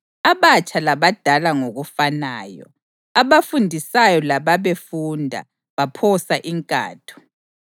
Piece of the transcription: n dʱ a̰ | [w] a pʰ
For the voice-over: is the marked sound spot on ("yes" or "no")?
no